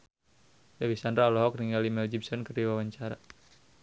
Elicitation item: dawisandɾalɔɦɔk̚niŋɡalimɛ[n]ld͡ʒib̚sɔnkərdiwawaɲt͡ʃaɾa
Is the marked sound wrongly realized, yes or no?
yes